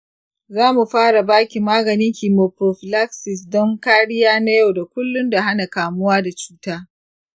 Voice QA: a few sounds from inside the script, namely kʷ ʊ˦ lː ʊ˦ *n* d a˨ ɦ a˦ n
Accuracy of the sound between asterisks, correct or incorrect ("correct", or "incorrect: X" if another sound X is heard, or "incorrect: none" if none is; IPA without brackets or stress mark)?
correct